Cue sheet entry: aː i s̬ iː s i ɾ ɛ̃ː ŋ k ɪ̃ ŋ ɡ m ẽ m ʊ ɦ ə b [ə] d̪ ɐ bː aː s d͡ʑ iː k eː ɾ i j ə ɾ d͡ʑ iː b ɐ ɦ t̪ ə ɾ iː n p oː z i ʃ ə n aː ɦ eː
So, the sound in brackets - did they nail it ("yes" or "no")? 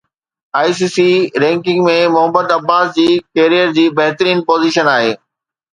yes